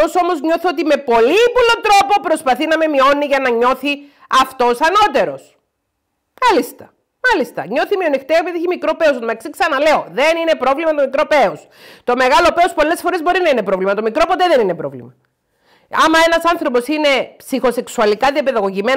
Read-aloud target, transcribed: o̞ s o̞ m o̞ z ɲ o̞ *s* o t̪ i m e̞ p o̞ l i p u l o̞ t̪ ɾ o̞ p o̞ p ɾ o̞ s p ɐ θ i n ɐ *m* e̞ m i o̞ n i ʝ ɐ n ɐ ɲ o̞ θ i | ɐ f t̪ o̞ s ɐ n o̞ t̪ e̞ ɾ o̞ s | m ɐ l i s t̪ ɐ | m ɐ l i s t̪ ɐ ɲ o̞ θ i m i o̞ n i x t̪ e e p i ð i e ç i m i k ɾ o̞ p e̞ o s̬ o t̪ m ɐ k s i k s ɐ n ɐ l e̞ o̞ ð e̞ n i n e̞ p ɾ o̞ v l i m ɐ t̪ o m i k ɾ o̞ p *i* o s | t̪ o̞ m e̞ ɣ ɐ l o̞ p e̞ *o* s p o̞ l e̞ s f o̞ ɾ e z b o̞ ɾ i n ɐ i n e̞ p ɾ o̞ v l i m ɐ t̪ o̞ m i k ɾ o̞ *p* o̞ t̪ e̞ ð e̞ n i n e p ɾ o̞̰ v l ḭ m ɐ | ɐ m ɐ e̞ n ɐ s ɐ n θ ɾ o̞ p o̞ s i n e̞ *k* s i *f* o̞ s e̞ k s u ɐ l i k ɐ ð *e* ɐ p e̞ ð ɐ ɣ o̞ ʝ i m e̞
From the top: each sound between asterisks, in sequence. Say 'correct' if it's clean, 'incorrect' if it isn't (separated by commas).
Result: incorrect, correct, incorrect, correct, correct, incorrect, incorrect, incorrect